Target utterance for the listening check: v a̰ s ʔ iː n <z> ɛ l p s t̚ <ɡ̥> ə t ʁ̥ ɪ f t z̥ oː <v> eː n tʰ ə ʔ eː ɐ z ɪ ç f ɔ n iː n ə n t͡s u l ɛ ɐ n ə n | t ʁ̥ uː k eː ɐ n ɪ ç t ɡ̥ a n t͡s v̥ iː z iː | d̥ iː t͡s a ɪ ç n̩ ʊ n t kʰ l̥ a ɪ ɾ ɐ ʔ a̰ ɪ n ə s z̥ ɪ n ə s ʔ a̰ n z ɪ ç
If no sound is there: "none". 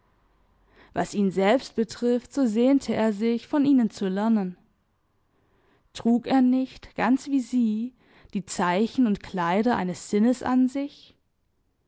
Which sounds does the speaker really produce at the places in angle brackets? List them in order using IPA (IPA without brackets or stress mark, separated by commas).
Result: z, b̥, z